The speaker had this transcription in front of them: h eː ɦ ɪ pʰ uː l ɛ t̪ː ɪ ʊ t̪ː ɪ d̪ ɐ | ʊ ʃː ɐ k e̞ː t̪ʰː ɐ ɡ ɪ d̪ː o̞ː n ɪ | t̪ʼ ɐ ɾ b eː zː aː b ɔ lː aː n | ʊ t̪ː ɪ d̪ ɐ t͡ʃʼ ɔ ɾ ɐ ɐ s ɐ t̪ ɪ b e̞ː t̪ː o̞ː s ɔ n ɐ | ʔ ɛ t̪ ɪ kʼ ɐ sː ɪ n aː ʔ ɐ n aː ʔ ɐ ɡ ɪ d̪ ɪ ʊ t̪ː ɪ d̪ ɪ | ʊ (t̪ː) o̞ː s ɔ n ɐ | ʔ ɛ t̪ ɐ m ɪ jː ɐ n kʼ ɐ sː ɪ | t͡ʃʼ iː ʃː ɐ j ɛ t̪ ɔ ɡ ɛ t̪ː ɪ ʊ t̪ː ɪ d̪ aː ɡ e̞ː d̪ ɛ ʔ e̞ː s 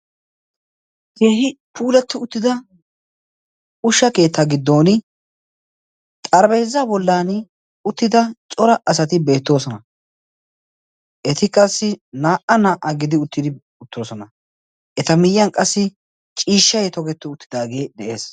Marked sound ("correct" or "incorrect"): correct